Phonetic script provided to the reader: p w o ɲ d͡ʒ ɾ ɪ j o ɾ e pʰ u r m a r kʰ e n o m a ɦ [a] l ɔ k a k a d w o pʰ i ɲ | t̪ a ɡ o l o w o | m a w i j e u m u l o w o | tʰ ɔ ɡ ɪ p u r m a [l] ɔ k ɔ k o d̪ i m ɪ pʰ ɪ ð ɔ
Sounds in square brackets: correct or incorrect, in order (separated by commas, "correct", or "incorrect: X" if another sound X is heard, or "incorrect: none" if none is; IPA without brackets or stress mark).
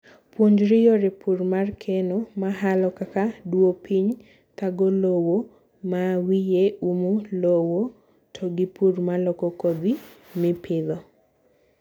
correct, correct